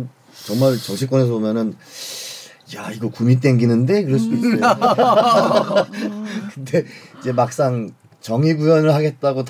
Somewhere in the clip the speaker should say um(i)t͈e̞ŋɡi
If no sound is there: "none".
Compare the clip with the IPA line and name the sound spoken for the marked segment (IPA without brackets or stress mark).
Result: i